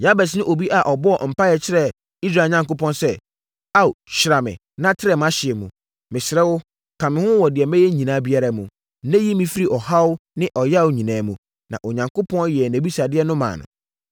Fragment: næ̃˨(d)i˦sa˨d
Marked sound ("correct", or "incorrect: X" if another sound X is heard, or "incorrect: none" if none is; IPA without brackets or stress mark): incorrect: b